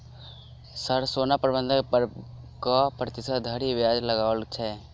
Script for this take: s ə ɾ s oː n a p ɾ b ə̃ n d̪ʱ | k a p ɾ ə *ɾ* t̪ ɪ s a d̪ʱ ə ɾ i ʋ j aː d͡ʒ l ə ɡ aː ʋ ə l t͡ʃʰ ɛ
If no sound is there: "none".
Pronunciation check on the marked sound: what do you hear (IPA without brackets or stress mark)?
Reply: none